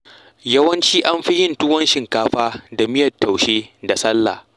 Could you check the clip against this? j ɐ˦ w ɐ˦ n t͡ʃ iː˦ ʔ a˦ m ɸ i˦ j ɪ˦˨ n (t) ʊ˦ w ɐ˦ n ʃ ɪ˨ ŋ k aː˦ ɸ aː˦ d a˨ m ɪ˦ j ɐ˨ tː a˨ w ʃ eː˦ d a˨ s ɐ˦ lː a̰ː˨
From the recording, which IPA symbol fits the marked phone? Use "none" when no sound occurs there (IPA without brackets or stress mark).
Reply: t